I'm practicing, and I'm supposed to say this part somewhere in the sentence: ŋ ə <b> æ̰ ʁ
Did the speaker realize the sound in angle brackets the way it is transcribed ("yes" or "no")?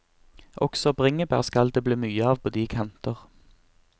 yes